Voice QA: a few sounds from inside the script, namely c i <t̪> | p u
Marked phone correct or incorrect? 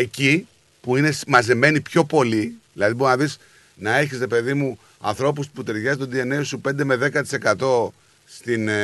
incorrect